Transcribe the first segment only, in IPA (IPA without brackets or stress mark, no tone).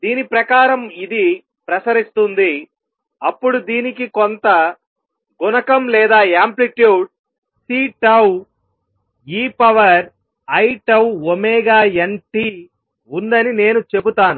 d̪